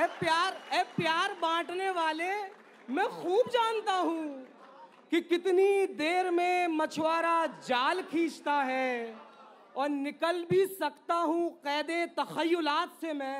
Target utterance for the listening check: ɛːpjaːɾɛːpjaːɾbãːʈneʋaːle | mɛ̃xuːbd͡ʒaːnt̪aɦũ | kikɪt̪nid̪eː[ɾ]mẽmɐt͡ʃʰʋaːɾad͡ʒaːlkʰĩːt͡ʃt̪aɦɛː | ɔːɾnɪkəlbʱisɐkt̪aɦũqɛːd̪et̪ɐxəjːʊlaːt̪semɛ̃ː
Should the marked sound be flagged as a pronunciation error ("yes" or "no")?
no